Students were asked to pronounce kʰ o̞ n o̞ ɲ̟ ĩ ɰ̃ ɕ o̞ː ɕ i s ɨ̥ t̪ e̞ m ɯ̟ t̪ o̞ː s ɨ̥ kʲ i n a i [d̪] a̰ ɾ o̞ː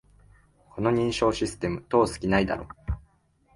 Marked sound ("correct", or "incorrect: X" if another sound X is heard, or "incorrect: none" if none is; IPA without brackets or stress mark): correct